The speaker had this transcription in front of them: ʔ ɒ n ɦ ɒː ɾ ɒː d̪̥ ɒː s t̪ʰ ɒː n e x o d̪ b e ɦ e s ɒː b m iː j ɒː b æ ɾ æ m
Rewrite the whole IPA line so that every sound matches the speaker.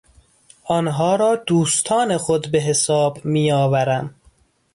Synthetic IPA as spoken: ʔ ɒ n ɦ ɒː ɾ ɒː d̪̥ uː s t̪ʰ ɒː n e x o d̪ b e ɦ e s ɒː b m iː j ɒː v æ ɾ æ m